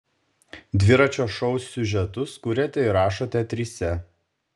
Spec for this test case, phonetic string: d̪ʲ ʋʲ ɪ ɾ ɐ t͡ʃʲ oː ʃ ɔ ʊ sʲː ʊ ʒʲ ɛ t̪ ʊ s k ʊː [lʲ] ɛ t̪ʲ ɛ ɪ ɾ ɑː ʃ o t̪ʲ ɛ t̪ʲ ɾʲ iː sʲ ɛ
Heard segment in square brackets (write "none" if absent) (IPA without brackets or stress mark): ɾʲ